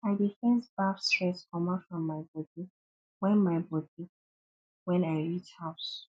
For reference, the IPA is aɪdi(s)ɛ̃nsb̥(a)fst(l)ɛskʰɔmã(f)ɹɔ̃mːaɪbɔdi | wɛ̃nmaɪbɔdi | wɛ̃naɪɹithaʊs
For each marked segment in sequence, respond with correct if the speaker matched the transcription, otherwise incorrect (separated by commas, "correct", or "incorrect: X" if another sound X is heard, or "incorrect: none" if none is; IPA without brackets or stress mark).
incorrect: f, correct, incorrect: ɹ, correct